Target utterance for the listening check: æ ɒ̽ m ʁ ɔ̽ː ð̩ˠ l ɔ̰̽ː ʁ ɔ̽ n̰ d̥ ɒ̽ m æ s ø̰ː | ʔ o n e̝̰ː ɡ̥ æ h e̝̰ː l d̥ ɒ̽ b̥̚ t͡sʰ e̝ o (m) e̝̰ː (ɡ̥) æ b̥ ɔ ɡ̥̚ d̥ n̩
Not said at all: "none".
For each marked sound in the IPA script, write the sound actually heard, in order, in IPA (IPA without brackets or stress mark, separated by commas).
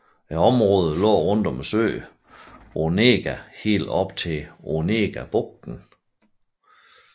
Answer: n, ɡ̥